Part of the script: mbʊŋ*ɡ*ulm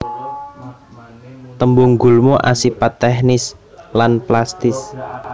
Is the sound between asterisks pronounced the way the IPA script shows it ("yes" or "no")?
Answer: yes